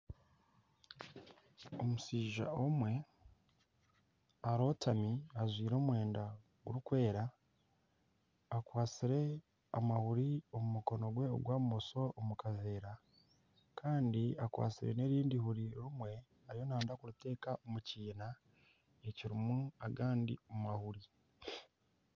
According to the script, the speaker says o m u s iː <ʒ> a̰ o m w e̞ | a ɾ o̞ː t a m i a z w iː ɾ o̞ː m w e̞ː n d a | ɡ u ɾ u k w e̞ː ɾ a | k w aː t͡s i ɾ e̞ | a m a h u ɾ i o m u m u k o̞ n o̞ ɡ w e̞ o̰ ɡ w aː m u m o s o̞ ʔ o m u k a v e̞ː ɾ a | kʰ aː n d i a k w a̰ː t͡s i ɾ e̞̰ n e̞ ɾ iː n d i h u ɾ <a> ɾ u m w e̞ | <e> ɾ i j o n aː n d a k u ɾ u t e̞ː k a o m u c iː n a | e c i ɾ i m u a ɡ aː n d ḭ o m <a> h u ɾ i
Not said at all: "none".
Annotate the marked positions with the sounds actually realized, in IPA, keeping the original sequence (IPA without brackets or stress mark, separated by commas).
ʒ, i, a, a